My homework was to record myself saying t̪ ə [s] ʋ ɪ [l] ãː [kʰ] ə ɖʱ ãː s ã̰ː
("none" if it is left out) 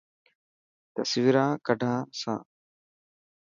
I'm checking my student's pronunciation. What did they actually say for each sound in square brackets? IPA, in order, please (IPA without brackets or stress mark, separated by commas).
s, ɾ, k